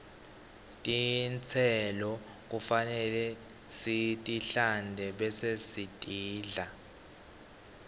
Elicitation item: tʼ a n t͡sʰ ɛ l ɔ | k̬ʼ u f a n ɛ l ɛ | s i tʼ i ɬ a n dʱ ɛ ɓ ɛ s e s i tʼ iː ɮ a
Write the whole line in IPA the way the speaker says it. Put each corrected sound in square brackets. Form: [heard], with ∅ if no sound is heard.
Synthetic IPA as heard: tʼ [i] n t͡sʰ ɛ l ɔ | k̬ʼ u f a n ɛ l ɛ | s i tʼ i ɬ a n dʱ ɛ ɓ ɛ s e s i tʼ iː ɮ a